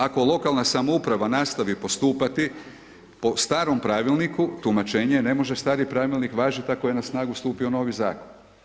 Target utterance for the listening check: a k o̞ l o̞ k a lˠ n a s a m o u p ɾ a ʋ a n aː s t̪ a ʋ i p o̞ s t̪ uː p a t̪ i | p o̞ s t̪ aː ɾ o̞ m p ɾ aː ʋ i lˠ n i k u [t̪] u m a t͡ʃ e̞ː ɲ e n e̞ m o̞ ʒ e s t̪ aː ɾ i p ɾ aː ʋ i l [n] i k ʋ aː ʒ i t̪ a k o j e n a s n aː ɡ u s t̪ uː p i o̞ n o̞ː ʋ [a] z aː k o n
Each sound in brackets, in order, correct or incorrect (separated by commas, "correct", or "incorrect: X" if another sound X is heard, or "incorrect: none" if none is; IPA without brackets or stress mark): correct, correct, incorrect: i